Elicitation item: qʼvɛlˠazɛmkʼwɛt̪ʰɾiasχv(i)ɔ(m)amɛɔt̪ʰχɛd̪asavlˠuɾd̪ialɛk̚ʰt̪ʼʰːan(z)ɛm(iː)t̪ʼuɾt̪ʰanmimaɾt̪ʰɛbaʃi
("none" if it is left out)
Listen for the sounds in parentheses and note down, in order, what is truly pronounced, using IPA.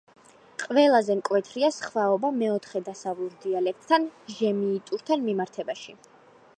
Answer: a, b, ʒ, iː

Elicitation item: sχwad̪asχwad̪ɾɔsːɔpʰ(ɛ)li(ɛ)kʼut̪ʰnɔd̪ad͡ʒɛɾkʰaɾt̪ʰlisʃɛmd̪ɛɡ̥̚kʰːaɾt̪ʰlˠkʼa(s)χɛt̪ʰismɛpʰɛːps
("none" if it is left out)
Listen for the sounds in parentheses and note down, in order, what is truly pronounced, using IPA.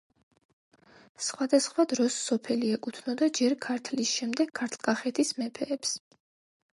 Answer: ɛ, ɛ, none

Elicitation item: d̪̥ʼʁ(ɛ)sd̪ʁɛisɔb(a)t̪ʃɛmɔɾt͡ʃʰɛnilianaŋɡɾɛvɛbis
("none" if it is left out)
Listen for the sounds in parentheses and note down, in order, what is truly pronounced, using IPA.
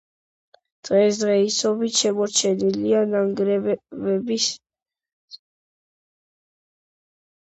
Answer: ɛ, i

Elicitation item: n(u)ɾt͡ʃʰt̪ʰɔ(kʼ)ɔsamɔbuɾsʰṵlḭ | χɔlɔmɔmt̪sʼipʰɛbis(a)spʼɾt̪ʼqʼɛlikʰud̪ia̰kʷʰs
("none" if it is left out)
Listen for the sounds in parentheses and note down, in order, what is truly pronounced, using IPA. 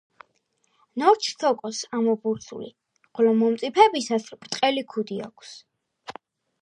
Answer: ɔ, kʼ, a

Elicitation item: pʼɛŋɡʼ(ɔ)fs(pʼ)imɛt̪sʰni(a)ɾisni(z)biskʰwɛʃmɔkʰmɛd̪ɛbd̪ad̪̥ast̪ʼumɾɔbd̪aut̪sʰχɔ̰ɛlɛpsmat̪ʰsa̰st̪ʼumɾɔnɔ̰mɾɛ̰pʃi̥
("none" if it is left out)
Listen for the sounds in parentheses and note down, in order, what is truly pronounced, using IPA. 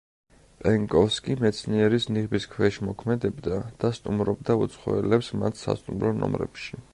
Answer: ɔ, kʼ, ɛ, ʁ

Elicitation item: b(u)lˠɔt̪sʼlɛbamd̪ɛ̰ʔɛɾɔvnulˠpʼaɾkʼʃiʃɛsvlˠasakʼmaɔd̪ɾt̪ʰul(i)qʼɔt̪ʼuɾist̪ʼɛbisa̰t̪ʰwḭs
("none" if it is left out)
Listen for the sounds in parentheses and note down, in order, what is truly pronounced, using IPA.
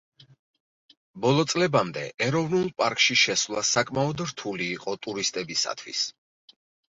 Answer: ɔ, iː

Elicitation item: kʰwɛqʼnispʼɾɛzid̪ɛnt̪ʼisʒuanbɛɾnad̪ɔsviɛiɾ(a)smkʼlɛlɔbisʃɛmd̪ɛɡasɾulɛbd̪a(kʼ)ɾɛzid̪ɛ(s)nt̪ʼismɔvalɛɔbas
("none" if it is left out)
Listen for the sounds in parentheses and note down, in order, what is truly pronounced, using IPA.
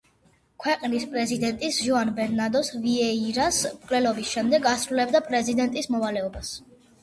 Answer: a, pʼ, none

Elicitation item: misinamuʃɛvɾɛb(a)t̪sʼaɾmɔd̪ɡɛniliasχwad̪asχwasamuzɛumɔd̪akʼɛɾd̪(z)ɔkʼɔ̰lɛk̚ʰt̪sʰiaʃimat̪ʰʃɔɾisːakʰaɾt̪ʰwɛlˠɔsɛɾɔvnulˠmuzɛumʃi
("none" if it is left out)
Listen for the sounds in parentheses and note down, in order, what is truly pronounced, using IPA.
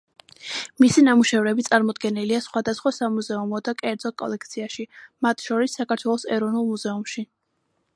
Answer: i, z

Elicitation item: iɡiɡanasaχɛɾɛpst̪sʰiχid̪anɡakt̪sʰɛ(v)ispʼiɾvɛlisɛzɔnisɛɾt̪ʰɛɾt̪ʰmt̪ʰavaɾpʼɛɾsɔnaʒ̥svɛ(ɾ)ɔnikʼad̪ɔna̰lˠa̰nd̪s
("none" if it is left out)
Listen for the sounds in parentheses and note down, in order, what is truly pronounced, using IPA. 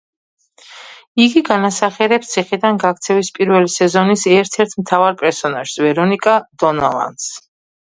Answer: v, ɾ

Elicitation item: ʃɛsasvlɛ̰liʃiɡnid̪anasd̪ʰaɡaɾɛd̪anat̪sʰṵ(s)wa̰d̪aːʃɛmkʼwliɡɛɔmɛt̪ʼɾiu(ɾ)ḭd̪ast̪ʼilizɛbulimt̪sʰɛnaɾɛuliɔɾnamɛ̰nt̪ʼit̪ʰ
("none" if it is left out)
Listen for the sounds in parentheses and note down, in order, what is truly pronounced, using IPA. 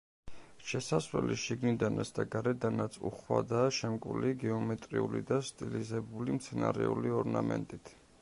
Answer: χ, l

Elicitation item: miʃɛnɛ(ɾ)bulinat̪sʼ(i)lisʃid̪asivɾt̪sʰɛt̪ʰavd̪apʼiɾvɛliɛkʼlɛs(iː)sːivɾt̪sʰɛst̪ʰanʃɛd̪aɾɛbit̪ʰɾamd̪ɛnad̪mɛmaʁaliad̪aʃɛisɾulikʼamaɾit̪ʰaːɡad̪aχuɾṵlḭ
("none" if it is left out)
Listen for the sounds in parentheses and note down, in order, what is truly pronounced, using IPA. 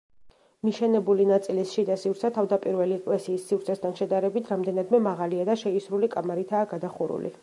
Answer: none, i, iː

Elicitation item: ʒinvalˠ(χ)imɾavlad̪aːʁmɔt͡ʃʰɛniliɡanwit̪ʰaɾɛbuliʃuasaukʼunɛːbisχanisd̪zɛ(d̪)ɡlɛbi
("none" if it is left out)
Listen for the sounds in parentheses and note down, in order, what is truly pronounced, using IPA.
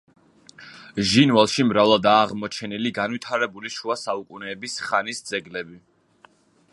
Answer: ʃ, none

